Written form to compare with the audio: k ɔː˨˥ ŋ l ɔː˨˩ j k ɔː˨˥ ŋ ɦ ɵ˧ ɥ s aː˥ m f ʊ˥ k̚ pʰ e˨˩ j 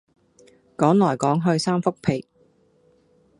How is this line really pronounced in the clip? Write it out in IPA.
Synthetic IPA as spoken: k ɔː˨˥ ŋ l ɔː˨˩ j k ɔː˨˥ ŋ ɦ ɵ˧ ɥ s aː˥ m f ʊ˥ k̚ pʰ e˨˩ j